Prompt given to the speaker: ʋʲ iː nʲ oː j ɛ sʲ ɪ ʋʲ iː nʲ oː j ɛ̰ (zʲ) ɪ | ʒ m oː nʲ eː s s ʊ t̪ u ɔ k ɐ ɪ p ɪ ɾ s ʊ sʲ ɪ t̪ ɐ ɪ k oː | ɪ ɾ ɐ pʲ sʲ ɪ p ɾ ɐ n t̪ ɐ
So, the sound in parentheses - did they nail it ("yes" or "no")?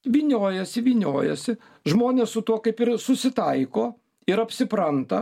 no